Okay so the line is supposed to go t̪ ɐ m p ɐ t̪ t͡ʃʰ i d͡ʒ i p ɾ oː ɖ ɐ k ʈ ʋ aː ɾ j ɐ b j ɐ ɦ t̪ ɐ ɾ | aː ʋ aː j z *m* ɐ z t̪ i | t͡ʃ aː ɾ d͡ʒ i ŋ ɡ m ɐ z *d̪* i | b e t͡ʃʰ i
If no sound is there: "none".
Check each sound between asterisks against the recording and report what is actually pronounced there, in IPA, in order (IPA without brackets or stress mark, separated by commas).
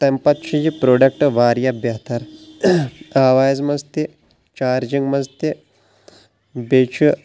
m, t̪